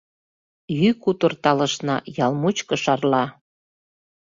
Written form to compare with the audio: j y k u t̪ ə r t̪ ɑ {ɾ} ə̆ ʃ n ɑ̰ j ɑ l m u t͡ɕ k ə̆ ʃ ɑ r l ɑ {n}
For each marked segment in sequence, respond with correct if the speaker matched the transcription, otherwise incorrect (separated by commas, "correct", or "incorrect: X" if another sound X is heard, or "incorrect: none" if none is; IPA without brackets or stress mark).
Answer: incorrect: l, incorrect: none